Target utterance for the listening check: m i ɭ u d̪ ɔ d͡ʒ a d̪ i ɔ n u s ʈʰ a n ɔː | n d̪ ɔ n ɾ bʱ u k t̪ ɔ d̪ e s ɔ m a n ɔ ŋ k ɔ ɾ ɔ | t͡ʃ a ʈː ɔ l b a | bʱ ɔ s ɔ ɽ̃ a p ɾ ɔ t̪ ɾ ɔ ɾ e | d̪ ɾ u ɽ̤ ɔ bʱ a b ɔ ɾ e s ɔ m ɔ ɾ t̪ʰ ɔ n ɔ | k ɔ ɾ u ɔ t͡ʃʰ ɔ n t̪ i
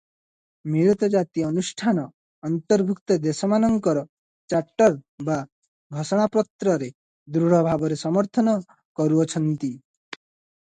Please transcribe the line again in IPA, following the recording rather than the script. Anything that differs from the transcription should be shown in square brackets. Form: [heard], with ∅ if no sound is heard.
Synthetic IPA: m i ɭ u [t̪] ɔ d͡ʒ a [t̪] i ɔ n u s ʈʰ a n ɔː | n [t̪] ɔ [∅] ɾ bʱ u k t̪ ɔ d̪ e s ɔ m a n ɔ ŋ k ɔ ɾ ɔ | t͡ʃ a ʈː ɔ [ɾ] b a | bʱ ɔ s ɔ ɽ̃ a p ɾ ɔ t̪ ɾ ɔ ɾ e | d̪ ɾ u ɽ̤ ɔ bʱ a b ɔ ɾ e s ɔ m ɔ ɾ t̪ʰ ɔ n ɔ | k ɔ ɾ u ɔ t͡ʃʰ ɔ n t̪ i

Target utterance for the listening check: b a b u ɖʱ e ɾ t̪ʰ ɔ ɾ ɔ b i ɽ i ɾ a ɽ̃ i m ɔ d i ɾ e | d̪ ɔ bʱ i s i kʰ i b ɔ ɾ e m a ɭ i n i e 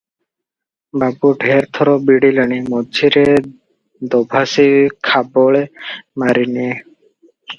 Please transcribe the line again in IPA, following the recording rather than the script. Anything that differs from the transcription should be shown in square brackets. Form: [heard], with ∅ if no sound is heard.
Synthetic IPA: b a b u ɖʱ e ɾ t̪ʰ ɔ ɾ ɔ b i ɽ i [l] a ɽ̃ i m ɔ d i ɾ e | d̪ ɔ bʱ [a] s i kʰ [a] b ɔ [ɭ] e m a [ɾ] i n i e

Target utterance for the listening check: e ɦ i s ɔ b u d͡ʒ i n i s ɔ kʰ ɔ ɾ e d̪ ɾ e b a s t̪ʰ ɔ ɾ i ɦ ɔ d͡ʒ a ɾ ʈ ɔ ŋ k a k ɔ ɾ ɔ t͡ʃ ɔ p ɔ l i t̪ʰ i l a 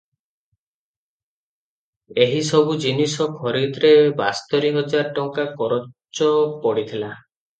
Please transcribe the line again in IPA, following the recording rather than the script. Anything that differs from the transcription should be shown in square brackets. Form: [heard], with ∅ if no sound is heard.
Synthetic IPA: e ɦ i s ɔ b u d͡ʒ i n i s ɔ kʰ ɔ ɾ [i] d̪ ɾ e b a s [t̪] ɔ ɾ i ɦ ɔ d͡ʒ a ɾ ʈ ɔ ŋ k a k ɔ ɾ ɔ t͡ʃ ɔ p ɔ [ɽ] i t̪ʰ i l a

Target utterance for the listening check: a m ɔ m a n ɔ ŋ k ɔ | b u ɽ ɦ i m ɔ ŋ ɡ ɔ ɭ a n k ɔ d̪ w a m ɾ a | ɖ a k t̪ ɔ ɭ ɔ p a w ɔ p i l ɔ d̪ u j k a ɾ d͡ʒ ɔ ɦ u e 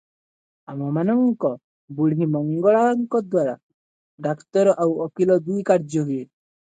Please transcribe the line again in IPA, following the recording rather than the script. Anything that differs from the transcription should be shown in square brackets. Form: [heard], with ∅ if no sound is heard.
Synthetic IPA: a m ɔ m a n ɔ ŋ k ɔ | b u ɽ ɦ i m ɔ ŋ ɡ ɔ ɭ a [ŋ] k ɔ d̪ w a [∅] ɾ a | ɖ a k t̪ ɔ [ɾ] ɔ [ʔ] a w ɔ [k] i l ɔ d̪ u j k a ɾ d͡ʒ ɔ ɦ u e

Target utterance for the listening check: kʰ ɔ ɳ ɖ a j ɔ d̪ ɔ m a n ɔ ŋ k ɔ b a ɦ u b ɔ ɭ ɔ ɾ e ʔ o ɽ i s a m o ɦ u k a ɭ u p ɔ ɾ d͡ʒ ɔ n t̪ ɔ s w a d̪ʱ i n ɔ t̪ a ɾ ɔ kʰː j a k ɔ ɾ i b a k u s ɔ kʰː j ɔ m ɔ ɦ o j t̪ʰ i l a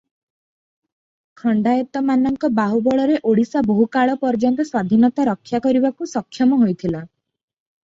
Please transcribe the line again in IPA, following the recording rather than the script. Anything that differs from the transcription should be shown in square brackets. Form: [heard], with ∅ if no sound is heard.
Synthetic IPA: kʰ ɔ ɳ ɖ a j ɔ [t̪] ɔ m a n ɔ ŋ k ɔ b a ɦ u b ɔ ɭ ɔ ɾ e ʔ o ɽ i s a [b] o ɦ u k a ɭ [ɔ] p ɔ ɾ d͡ʒ ɔ n t̪ ɔ s w a d̪ʱ i n ɔ t̪ a ɾ ɔ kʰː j a k ɔ ɾ i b a k u s ɔ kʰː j ɔ m ɔ ɦ o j t̪ʰ i l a

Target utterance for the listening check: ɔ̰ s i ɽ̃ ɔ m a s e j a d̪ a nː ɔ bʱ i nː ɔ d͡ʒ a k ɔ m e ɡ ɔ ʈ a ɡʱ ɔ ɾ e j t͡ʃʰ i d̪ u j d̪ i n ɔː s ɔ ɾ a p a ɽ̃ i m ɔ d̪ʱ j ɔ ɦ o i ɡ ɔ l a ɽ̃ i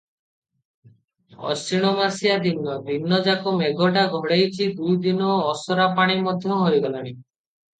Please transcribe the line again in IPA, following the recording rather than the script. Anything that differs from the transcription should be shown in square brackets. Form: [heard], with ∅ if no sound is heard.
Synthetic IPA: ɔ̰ s i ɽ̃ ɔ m a s [i] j a d̪ [i] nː ɔ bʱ i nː ɔ d͡ʒ a k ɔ m e ɡ ɔ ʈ a ɡʱ ɔ [ɽ] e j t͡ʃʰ i d̪ u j d̪ i n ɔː s ɔ ɾ a p a ɽ̃ i m ɔ d̪ʱ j ɔ ɦ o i ɡ ɔ l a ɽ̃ i

